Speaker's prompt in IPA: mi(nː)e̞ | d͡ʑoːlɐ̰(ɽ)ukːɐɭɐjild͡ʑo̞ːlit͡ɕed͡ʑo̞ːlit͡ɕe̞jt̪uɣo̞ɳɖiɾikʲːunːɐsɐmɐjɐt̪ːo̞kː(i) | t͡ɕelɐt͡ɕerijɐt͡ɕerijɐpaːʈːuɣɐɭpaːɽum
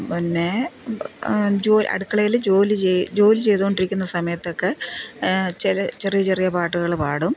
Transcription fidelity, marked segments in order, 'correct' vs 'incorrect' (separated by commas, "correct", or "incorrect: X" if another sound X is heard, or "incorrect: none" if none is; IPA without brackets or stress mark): correct, correct, incorrect: e